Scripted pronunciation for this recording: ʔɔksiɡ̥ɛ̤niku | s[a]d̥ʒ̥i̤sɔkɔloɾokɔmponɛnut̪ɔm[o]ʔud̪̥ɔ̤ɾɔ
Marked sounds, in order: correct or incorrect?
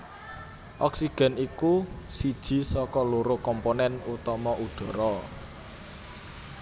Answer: incorrect: i, incorrect: ɔ

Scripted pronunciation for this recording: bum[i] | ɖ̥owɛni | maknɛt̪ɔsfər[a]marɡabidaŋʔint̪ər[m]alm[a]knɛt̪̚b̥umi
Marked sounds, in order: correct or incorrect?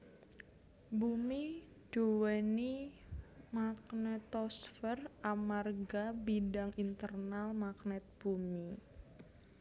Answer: correct, correct, incorrect: n, correct

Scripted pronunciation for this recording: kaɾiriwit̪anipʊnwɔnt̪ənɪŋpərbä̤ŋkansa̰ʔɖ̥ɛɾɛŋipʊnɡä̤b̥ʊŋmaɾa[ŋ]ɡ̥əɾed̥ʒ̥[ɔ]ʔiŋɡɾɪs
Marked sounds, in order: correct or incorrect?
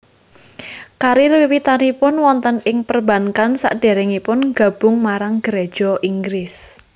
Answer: correct, correct

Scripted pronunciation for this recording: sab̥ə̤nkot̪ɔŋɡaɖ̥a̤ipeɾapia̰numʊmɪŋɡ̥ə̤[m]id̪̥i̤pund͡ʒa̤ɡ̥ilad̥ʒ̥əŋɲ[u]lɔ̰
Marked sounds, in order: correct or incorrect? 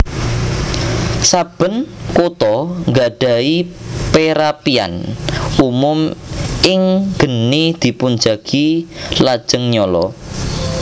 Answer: incorrect: n, incorrect: ɔ

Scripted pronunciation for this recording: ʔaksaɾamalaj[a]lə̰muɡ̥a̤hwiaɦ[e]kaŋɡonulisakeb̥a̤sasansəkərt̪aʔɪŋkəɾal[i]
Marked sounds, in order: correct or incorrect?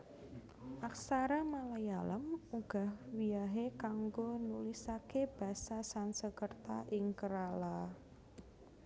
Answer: correct, correct, incorrect: a

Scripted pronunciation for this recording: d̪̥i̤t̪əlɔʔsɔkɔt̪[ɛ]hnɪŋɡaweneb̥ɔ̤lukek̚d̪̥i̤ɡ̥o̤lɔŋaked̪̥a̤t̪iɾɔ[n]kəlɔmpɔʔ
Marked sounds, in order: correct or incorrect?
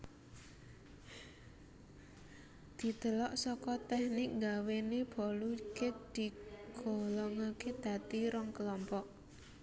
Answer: correct, incorrect: ŋ

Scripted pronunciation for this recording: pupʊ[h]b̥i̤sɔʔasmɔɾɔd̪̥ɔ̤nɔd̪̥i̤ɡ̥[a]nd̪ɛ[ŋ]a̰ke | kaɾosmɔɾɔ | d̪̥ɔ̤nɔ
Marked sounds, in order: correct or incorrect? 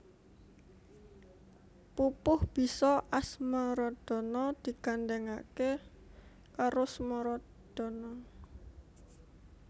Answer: correct, correct, correct

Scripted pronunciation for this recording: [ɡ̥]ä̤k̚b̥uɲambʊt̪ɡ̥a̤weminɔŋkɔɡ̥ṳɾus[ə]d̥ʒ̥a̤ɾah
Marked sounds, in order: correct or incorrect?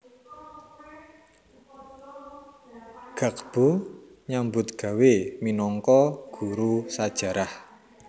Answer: correct, incorrect: a

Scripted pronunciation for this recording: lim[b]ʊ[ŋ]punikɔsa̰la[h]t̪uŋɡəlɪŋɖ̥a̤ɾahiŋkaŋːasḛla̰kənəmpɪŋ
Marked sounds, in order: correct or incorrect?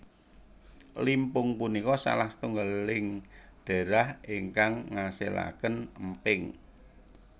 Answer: incorrect: p, correct, correct

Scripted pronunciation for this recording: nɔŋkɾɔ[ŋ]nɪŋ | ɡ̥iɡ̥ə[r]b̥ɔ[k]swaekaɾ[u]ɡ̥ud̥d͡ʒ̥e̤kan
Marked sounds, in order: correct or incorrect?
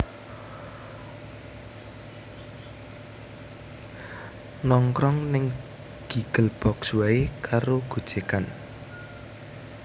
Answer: correct, incorrect: l, correct, incorrect: o

